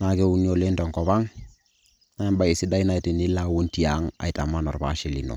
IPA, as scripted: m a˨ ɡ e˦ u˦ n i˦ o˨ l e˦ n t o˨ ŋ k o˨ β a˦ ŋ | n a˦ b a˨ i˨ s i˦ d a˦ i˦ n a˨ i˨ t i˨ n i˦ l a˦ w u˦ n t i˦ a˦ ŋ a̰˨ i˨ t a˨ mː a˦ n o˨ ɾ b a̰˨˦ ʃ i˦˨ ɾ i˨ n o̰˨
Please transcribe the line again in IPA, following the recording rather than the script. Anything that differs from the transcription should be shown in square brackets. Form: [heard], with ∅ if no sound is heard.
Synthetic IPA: [n] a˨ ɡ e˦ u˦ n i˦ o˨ l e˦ n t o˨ ŋ k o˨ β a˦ ŋ | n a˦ b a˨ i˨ s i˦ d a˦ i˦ n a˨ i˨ t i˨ n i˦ l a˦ w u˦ n t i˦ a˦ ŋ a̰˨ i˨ t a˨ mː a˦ n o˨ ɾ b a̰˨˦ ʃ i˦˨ [l] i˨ n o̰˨